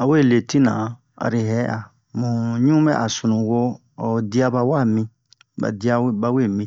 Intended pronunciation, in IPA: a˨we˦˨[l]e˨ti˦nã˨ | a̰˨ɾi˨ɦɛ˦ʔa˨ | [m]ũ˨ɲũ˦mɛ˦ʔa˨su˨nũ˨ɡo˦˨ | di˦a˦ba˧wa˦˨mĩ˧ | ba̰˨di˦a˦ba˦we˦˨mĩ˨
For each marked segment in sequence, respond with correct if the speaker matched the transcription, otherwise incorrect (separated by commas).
correct, correct